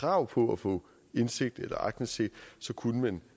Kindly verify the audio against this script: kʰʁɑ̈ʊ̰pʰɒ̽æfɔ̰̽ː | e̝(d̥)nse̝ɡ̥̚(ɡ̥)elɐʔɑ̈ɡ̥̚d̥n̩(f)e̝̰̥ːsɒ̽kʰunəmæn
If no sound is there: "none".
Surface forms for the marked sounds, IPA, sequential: none, d̥, s

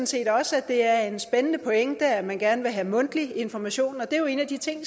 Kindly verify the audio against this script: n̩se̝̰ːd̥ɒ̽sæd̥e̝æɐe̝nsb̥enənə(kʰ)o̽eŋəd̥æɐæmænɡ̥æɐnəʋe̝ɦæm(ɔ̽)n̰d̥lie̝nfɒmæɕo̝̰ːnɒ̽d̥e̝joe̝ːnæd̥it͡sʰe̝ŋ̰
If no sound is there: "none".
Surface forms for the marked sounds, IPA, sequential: pʰ, ɔ̽

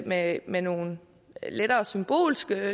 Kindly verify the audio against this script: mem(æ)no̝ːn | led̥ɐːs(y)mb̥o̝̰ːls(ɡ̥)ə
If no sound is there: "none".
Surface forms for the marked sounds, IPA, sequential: e, y, ɡ̥

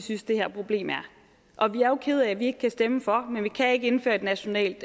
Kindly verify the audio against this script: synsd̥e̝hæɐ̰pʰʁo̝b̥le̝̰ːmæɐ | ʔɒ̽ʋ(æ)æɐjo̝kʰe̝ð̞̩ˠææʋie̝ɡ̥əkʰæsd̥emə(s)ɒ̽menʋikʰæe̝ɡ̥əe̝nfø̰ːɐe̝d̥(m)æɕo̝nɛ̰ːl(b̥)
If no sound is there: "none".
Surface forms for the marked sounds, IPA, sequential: i, f, n, d̥

